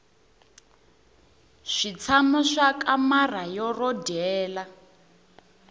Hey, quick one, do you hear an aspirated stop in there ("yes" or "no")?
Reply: yes